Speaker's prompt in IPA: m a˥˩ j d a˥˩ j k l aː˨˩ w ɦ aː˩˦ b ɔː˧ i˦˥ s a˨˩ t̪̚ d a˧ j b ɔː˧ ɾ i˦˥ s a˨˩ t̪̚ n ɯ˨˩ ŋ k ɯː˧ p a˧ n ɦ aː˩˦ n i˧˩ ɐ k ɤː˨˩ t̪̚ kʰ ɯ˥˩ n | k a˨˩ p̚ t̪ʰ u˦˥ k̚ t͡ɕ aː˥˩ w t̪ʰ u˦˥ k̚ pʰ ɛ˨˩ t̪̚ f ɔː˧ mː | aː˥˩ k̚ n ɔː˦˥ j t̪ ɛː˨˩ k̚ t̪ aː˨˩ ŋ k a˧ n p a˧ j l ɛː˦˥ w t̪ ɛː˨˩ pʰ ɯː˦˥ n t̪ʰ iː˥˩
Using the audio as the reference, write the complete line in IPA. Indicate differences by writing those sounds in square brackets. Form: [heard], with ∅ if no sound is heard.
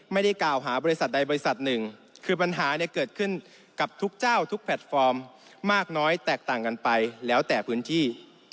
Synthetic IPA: m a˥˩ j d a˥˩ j k l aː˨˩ w ɦ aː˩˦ b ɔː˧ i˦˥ s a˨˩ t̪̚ d a˧ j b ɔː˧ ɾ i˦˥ s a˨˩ t̪̚ n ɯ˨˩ ŋ [kʰ] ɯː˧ p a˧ n ɦ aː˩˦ n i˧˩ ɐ k ɤː˨˩ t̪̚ kʰ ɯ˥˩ n | k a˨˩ p̚ t̪ʰ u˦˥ k̚ t͡ɕ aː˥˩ w t̪ʰ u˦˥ k̚ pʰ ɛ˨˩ t̪̚ f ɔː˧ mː | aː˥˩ k̚ n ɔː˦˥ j t̪ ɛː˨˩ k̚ t̪ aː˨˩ ŋ k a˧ n p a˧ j l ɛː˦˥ w t̪ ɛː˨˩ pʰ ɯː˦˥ n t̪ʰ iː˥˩